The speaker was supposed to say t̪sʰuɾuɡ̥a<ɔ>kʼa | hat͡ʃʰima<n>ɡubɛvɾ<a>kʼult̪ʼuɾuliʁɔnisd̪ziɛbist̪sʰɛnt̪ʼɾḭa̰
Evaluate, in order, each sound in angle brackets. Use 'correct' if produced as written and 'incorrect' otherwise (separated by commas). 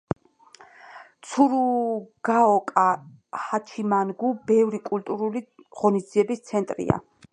correct, correct, incorrect